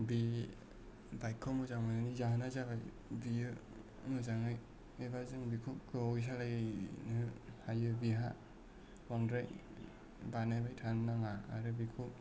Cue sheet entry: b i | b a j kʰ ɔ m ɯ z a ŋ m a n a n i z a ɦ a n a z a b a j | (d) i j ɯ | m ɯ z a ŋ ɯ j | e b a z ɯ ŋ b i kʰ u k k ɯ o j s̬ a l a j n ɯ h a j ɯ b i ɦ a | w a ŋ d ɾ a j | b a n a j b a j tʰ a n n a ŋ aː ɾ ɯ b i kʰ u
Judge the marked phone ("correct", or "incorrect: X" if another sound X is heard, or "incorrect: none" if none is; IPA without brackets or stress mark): incorrect: b